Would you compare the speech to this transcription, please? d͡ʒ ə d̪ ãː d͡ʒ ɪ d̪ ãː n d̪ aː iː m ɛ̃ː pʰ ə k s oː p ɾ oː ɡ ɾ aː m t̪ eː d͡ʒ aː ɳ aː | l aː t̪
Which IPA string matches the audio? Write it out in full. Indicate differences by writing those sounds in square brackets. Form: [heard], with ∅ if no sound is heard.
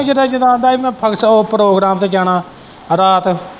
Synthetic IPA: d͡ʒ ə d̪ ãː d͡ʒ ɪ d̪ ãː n d̪ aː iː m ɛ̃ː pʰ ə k s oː p ɾ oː ɡ ɾ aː m t̪ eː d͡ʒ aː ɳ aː | [ɾ] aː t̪